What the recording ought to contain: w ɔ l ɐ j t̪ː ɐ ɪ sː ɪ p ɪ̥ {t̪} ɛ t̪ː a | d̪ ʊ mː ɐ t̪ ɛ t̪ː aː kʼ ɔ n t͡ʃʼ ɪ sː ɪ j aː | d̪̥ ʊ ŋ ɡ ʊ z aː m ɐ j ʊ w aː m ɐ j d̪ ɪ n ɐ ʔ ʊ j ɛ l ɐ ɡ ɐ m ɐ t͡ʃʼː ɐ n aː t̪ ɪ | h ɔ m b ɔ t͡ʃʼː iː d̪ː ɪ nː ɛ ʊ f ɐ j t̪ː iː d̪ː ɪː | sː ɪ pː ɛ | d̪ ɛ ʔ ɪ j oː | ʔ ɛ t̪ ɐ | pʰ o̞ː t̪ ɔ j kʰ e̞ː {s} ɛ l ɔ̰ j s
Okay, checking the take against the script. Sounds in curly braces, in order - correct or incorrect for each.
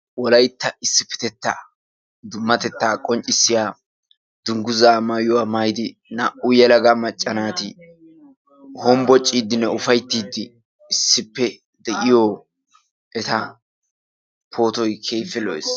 correct, incorrect: f

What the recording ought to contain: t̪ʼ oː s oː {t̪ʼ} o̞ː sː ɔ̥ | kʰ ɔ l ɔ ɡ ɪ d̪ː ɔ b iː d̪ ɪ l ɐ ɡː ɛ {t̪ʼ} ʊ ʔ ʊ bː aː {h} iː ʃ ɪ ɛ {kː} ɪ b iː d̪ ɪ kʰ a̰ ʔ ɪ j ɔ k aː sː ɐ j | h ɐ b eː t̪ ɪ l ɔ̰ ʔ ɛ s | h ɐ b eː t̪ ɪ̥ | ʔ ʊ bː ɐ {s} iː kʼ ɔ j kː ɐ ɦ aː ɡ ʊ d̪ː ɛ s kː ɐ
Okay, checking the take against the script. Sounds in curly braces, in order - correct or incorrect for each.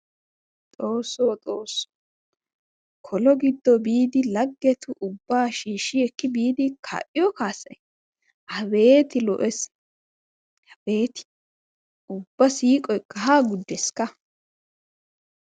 correct, incorrect: t̪, incorrect: ʃ, correct, correct

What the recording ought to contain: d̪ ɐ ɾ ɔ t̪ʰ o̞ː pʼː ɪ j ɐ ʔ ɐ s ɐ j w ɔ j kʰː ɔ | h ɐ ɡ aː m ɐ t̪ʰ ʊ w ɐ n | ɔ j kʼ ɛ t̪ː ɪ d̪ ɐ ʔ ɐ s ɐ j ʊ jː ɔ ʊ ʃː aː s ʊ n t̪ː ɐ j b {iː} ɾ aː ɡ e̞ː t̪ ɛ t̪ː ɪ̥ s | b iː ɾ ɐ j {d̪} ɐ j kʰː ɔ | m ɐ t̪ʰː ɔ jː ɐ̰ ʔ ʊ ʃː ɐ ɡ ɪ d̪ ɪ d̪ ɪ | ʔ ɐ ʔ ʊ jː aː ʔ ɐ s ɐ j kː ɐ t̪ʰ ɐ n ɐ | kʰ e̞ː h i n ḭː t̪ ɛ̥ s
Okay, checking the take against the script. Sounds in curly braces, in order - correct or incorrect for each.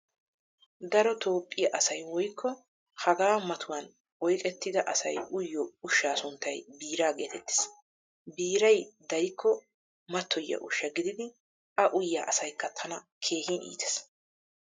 correct, correct

